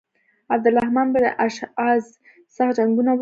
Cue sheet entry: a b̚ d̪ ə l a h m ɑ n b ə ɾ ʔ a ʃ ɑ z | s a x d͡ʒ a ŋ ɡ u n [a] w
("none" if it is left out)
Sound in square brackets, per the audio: a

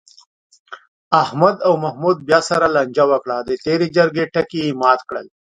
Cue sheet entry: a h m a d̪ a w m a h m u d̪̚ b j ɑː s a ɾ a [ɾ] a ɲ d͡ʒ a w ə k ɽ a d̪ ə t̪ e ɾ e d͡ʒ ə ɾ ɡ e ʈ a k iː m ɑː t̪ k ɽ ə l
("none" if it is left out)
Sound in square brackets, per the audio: l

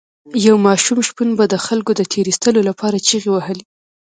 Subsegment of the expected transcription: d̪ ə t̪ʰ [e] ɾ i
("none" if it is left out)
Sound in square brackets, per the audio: e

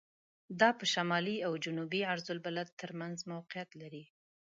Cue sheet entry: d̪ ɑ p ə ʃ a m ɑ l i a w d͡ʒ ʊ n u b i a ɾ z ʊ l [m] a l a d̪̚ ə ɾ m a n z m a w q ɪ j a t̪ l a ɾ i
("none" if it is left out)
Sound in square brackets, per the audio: b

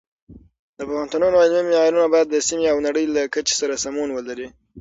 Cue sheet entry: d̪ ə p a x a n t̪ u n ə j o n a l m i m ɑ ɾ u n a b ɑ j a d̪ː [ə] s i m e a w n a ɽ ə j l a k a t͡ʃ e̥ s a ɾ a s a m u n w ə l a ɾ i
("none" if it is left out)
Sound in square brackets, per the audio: ə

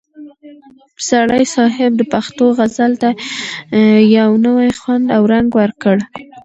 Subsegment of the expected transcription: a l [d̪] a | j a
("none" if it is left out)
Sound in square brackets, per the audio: t̪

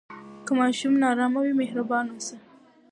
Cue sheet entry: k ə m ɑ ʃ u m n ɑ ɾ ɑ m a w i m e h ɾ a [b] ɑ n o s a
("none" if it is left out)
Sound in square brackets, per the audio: b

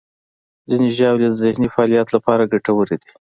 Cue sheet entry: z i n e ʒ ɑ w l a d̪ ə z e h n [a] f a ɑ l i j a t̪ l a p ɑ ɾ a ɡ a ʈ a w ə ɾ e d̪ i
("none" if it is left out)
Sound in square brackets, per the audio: i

